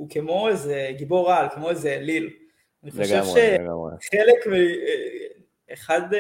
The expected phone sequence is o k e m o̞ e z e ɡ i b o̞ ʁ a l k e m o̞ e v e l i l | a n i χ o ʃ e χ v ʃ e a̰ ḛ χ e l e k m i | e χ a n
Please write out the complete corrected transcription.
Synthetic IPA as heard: u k e m o̞ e z e ɡ i b o̞ ʁ a l k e m o̞ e z e l i l | a n i χ o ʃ e v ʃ e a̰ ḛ χ e l e k m i | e χ a d